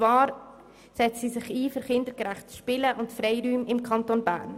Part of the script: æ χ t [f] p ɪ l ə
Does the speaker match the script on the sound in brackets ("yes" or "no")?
no